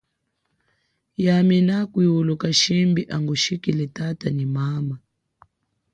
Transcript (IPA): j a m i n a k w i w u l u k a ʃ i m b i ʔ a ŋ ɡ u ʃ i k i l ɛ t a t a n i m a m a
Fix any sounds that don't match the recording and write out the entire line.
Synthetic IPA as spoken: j a m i n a k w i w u l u k a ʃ i m b i ʔ a ŋ ɡ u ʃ i k i l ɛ t a t a n i m a m a